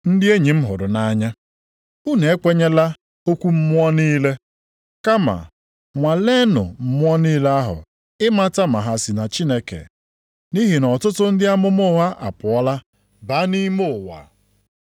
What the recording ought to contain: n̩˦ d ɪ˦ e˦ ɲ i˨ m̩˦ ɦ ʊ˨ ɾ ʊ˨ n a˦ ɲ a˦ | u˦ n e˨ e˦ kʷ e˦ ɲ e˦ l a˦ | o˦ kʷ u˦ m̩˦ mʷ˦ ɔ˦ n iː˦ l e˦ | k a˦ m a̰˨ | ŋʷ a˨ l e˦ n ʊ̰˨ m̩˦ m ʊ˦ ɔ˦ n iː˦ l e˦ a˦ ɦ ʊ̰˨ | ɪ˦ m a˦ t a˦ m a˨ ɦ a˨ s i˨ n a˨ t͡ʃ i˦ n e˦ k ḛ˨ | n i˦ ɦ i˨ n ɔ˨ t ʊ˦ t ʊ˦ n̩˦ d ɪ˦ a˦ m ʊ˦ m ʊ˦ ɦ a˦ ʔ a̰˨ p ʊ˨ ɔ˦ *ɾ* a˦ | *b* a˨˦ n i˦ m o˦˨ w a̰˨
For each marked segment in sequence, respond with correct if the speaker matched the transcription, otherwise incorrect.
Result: incorrect, correct

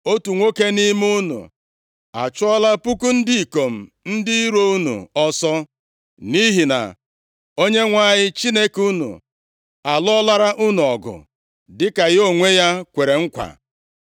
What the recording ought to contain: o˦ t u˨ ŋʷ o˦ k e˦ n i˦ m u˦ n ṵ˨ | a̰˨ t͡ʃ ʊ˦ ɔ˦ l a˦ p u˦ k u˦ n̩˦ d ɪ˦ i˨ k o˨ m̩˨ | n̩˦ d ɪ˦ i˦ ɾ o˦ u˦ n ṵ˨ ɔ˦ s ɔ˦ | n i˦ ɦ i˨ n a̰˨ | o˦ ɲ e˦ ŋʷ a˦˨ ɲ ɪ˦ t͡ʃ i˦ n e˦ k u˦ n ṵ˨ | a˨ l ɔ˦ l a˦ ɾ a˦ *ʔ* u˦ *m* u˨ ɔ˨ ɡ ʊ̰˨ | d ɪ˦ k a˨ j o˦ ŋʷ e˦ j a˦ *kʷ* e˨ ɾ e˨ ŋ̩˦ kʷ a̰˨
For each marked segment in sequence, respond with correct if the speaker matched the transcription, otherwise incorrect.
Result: correct, incorrect, correct

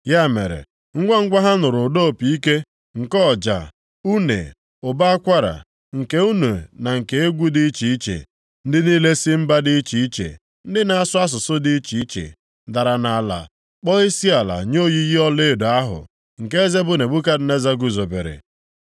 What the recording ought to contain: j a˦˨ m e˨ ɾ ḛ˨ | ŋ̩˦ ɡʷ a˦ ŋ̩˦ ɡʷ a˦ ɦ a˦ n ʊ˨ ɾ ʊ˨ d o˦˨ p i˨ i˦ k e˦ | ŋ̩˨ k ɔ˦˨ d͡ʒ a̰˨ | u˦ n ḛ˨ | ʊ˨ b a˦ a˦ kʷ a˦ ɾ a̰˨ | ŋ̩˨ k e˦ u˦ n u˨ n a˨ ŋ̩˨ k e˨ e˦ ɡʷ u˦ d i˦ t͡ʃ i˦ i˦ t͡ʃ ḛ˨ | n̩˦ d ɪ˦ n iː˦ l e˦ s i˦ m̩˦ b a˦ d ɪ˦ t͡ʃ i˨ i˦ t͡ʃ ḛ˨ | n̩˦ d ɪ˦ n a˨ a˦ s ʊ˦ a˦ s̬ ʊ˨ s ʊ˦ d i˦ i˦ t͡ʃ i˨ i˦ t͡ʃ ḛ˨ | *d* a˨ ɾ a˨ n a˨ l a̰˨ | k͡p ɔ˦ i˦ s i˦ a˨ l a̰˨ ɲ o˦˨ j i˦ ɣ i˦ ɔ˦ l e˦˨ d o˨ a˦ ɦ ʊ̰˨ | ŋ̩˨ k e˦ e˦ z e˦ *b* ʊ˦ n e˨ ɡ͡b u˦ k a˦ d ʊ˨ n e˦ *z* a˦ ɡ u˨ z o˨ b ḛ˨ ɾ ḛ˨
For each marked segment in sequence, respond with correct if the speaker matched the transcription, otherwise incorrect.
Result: correct, correct, correct

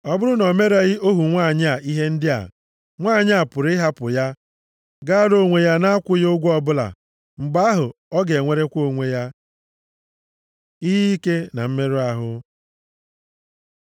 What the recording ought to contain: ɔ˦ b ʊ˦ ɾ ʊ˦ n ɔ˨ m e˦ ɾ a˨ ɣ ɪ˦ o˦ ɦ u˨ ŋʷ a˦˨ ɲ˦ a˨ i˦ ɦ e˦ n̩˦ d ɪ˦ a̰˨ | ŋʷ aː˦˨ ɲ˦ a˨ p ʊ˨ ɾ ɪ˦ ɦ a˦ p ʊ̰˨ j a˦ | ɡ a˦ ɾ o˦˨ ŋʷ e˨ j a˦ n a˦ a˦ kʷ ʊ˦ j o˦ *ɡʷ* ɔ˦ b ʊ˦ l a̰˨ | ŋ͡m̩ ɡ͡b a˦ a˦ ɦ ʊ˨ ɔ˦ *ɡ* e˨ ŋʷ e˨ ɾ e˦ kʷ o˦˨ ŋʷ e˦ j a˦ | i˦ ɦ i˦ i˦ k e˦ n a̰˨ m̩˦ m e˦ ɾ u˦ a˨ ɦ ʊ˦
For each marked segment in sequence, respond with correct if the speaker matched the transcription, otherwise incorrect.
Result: correct, correct

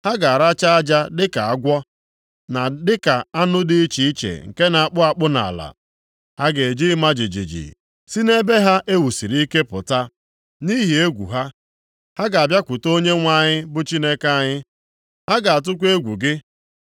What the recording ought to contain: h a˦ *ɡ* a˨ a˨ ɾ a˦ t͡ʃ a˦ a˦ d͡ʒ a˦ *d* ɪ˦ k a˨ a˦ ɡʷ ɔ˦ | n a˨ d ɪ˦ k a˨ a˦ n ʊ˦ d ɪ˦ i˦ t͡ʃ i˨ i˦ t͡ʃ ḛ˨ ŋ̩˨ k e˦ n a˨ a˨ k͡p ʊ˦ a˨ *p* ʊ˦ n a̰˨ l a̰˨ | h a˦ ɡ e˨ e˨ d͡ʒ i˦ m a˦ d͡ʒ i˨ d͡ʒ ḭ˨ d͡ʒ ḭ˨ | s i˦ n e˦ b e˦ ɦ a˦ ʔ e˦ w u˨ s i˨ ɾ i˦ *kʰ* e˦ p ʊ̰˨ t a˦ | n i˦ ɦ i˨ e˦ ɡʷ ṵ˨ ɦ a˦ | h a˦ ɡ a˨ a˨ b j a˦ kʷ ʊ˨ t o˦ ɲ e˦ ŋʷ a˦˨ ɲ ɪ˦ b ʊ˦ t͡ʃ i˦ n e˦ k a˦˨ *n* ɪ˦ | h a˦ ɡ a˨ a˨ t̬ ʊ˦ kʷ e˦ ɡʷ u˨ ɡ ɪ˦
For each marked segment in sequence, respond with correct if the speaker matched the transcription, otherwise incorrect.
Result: correct, correct, incorrect, incorrect, incorrect

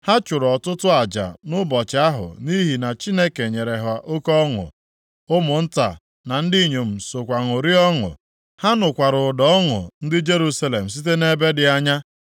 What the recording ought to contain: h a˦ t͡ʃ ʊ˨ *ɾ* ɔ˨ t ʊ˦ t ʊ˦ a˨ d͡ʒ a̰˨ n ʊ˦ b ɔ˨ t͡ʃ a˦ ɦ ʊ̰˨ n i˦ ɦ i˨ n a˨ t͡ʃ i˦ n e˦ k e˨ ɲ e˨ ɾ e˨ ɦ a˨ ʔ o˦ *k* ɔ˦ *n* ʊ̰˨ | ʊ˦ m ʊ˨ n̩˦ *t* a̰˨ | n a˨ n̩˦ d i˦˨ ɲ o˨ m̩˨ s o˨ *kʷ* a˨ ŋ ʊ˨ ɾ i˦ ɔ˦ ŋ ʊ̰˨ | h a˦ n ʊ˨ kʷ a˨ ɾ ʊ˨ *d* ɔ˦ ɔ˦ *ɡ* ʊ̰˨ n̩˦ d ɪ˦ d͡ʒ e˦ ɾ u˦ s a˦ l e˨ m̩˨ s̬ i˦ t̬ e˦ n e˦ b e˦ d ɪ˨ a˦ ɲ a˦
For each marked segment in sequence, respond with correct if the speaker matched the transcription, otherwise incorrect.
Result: correct, correct, incorrect, correct, correct, correct, incorrect

